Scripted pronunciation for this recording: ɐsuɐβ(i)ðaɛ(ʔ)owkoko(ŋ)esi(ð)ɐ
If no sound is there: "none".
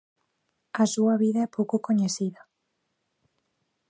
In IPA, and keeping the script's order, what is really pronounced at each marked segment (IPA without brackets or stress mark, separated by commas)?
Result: i, p, ɲ, ð